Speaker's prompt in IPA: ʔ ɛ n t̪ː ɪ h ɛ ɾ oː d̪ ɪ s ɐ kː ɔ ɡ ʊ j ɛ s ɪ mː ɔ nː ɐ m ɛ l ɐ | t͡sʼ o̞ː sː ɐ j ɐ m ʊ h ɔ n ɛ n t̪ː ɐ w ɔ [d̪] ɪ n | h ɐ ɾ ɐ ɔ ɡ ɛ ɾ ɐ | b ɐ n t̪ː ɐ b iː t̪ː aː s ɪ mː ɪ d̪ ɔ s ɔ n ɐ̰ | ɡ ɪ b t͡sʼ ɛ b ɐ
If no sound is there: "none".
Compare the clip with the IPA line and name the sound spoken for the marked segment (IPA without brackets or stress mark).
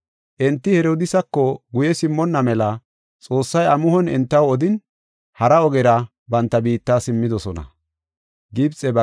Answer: d̪